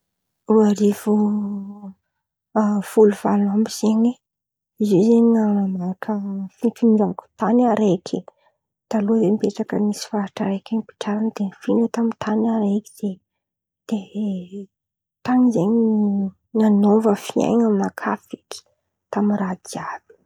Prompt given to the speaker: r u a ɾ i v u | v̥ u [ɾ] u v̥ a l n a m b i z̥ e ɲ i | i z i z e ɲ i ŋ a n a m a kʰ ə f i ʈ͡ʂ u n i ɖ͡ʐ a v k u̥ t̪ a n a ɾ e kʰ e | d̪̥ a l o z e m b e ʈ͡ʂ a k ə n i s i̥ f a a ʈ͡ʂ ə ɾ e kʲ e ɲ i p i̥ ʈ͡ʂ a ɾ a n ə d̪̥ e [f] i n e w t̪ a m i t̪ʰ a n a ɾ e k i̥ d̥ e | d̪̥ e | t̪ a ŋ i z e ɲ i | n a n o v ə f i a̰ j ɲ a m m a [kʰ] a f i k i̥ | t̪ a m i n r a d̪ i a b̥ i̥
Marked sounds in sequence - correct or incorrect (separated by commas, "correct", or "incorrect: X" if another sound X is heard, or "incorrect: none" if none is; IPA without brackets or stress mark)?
incorrect: l, correct, correct